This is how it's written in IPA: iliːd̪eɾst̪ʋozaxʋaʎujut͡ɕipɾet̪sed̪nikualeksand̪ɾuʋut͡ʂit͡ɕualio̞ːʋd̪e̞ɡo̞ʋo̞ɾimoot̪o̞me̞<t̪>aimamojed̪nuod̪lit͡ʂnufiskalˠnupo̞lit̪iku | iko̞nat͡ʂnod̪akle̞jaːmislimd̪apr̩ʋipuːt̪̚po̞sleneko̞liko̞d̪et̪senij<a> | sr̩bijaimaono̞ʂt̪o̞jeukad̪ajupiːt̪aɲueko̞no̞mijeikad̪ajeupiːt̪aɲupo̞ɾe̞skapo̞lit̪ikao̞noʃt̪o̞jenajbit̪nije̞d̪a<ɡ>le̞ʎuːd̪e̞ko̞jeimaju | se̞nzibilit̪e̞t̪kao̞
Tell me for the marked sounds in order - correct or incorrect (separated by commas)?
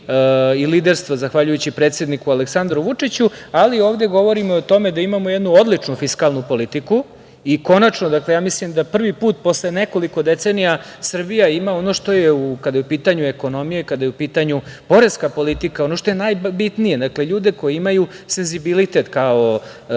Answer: incorrect, correct, incorrect